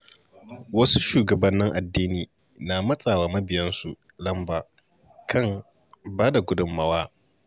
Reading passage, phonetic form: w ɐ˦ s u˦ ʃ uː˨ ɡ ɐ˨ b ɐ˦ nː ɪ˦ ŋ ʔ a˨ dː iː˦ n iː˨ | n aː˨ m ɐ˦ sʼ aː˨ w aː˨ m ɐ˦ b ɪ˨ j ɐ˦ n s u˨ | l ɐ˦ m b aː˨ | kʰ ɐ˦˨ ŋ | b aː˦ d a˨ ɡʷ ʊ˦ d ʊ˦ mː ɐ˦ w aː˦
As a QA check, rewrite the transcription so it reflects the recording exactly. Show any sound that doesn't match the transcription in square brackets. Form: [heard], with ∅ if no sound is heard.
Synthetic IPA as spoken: w ɐ˦ s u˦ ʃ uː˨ ɡ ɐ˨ b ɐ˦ nː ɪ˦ ŋ ʔ a˨ dː iː˦ n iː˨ | n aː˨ m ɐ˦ sʼ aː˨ w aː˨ m ɐ˦ b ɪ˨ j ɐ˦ n s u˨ | l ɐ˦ m b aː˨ | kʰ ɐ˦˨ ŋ | b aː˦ d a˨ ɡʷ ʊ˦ d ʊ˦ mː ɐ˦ w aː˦